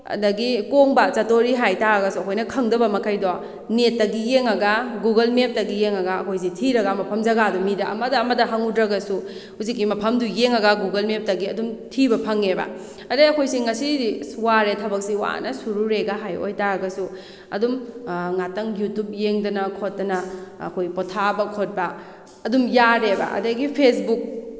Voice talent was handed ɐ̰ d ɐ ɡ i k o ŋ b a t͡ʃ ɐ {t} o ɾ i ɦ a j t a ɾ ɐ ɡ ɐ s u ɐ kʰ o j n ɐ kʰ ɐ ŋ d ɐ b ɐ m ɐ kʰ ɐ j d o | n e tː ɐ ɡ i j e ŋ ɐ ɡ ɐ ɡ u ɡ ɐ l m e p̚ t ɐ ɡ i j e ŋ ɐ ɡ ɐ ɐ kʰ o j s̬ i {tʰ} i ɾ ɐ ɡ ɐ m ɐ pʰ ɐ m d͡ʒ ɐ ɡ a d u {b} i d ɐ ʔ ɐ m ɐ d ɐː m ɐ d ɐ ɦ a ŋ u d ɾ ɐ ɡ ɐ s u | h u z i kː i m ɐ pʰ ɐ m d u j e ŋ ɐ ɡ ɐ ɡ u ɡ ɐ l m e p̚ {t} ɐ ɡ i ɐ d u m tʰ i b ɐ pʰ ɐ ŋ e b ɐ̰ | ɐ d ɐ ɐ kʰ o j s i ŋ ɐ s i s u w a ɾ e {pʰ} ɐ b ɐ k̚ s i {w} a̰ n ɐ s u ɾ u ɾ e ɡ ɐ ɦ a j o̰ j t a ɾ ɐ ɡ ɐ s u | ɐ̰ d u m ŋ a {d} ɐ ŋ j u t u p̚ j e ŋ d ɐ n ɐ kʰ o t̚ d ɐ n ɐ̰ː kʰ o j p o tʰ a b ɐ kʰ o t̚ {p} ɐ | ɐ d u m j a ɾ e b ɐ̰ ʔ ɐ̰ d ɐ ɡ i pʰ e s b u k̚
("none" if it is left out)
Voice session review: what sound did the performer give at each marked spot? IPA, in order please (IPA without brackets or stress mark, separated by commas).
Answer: t, tʰ, m, t, tʰ, w, t, b